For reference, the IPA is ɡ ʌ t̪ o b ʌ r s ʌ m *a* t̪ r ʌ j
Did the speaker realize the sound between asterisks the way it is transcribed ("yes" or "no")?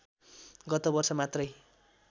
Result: yes